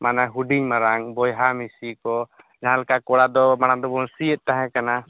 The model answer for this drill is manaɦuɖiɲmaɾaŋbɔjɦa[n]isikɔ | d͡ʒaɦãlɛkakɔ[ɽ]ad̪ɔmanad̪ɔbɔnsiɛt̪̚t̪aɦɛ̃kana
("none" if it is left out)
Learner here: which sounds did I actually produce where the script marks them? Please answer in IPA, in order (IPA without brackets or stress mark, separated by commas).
m, ɽ